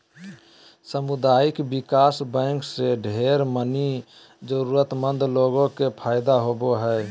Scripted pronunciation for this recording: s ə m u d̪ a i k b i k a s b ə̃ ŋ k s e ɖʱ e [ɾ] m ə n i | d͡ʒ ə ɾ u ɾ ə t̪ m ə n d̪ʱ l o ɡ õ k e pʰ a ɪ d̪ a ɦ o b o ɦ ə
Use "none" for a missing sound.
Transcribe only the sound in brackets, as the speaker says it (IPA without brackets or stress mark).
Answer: ɾ